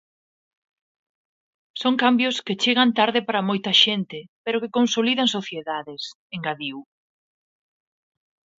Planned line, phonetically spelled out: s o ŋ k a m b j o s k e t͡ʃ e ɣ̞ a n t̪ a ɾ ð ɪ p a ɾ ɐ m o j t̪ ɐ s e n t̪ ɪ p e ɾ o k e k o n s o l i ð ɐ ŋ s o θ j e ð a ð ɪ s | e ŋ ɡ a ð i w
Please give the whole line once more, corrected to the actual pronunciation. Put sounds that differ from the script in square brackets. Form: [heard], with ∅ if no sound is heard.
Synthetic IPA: s o ŋ k a m b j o s k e t͡ʃ e ɣ̞ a n t̪ a ɾ ð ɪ p a ɾ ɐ m o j t̪ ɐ [ʃ] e n t̪ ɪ p e ɾ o k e k o n s o l i ð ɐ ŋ s o θ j e ð a ð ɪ s | e ŋ ɡ a ð i w